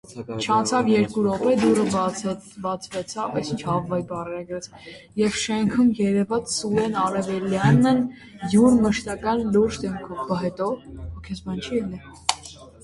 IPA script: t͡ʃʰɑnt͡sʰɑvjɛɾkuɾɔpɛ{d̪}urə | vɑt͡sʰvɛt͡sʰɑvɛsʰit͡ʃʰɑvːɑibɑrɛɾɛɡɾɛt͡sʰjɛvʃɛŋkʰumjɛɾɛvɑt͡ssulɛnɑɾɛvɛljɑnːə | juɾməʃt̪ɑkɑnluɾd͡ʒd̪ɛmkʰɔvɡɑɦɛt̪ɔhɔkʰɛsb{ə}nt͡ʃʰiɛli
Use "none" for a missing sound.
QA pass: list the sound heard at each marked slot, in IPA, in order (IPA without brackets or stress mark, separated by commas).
d̪, ɑ